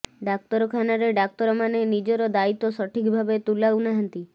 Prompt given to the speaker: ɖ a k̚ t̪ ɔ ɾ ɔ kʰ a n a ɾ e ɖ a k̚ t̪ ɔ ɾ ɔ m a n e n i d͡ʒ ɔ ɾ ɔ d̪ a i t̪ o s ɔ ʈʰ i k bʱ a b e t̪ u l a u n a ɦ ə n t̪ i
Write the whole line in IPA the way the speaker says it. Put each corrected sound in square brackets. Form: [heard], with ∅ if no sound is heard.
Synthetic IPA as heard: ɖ a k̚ t̪ ɔ ɾ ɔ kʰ a n a ɾ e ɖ a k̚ t̪ ɔ ɾ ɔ m a n e n i d͡ʒ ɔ ɾ ɔ d̪ a i t̪ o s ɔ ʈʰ i k bʱ a b e t̪ u l a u n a ɦ ə n t̪ i

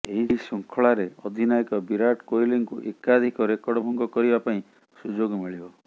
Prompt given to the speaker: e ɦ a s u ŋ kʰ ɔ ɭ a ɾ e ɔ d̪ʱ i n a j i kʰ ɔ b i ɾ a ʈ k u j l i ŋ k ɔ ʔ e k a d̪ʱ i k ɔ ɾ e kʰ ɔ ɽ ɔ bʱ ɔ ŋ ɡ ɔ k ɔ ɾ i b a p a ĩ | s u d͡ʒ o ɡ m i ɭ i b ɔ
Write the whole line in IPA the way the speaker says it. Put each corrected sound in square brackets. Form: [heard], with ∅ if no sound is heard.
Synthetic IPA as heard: e ɦ [i] s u ŋ kʰ ɔ ɭ a ɾ e ɔ d̪ʱ i n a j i [k] ɔ b i ɾ a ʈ k [o] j l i ŋ k [u] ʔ e k a d̪ʱ i k ɔ ɾ e [k] ɔ ɽ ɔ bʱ ɔ ŋ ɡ ɔ k ɔ ɾ i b a p a ĩ | s u d͡ʒ o ɡ m i ɭ i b ɔ

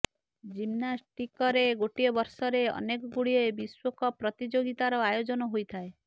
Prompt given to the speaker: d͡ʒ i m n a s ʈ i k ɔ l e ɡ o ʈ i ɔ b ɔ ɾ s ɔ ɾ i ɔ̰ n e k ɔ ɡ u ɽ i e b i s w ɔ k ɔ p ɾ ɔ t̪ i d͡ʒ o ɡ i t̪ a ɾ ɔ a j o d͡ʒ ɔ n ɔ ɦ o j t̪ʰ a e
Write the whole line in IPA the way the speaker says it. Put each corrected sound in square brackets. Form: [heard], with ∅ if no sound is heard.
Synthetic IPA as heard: d͡ʒ i m n a s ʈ i k ɔ [ɾ] e ɡ o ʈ i ɔ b ɔ ɾ s ɔ ɾ [e] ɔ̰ n e k ɔ ɡ u ɽ i e b i s w ɔ k ɔ p ɾ ɔ t̪ i d͡ʒ o ɡ i t̪ a ɾ ɔ a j o d͡ʒ ɔ n ɔ ɦ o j t̪ʰ a e

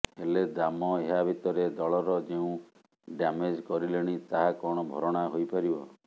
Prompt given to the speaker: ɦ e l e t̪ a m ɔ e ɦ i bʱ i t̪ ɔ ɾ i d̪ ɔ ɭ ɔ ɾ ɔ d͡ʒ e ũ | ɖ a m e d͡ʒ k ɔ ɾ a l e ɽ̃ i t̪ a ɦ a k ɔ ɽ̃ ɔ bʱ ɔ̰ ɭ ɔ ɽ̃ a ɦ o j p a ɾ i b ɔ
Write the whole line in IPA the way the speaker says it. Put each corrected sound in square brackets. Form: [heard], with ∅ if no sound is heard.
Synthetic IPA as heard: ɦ e l e [d̪] a m ɔ e ɦ [a] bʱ i t̪ ɔ ɾ [e] d̪ ɔ ɭ ɔ ɾ ɔ d͡ʒ e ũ | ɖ a m e d͡ʒ k ɔ ɾ [i] l e ɽ̃ i t̪ a ɦ a k ɔ ɽ̃ ɔ bʱ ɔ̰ [ɾ] ɔ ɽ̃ a ɦ o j p a ɾ i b ɔ

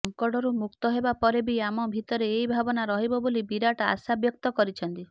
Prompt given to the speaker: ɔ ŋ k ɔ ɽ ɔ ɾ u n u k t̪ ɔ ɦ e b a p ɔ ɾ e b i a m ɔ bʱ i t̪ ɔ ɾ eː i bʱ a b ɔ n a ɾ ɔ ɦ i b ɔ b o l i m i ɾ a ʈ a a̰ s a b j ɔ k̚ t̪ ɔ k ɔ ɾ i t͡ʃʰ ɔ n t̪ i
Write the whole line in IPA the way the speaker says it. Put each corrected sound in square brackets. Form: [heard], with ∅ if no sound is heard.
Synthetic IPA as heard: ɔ ŋ k ɔ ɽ ɔ ɾ u [m] u k t̪ ɔ ɦ e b a p ɔ ɾ e b i a m ɔ bʱ i t̪ ɔ ɾ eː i bʱ a b ɔ n a ɾ ɔ ɦ i b ɔ b o l i [b] i ɾ a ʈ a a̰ s a b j ɔ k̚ t̪ ɔ k ɔ ɾ i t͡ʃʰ ɔ n t̪ i

